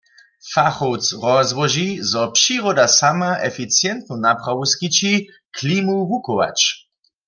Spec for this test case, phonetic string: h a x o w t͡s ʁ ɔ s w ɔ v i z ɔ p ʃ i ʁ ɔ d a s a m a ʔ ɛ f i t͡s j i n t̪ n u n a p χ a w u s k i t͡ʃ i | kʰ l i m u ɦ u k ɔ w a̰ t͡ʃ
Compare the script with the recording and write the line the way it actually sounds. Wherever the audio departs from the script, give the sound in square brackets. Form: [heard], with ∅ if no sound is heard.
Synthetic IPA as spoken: [f] a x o w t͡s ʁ ɔ [z] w ɔ [ʒ] i z ɔ p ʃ i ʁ ɔ d a s a m a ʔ ɛ f i t͡s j [ɛ] n t̪ n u n a p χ a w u s k i t͡ʃ i | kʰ l i m u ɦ u k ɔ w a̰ t͡ʃ